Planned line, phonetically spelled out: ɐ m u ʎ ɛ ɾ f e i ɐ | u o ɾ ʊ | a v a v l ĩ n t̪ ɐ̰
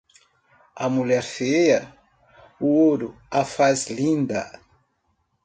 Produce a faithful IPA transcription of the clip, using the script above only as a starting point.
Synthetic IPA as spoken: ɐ m u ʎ ɛ ɾ f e j ɐ | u o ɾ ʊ | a f a z l ĩ n d̪ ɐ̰